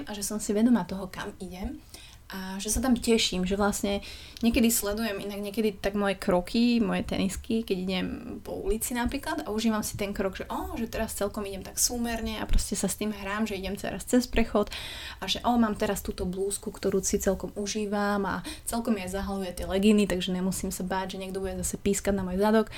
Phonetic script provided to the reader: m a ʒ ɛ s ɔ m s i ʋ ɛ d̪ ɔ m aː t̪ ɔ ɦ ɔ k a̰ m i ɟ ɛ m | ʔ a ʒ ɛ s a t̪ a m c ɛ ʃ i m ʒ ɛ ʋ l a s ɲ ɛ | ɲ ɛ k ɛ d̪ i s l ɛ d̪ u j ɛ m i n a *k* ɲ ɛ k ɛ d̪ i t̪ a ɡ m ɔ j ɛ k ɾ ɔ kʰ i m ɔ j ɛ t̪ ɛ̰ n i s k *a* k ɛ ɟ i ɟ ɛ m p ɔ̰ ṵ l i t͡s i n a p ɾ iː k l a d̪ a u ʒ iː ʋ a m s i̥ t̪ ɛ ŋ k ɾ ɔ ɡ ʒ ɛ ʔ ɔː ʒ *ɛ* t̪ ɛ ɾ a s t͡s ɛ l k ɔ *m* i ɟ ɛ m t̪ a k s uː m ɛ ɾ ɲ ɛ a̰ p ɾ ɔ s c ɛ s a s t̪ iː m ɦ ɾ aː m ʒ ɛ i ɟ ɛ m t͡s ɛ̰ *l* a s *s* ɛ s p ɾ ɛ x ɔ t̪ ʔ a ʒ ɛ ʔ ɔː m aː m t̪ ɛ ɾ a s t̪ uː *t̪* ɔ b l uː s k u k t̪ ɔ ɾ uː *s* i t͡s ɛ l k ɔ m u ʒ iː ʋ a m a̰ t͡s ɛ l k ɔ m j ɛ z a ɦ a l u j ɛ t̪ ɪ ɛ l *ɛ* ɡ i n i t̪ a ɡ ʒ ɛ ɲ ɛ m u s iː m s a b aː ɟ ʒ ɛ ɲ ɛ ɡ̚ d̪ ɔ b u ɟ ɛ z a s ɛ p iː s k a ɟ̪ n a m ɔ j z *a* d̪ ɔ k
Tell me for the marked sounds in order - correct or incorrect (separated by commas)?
incorrect, incorrect, correct, correct, incorrect, incorrect, correct, correct, correct, correct